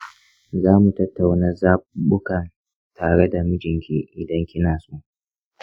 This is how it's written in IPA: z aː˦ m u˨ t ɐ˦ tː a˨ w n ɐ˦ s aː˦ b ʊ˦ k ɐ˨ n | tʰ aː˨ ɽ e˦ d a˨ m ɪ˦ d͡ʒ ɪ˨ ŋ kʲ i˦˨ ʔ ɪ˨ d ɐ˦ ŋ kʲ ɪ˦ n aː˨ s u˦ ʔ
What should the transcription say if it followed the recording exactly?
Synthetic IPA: z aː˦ m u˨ t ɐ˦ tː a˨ w n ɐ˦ z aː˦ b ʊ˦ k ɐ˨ n | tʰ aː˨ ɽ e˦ d a˨ m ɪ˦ d͡ʒ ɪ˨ ŋ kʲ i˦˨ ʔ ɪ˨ d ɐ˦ ŋ kʲ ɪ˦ n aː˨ s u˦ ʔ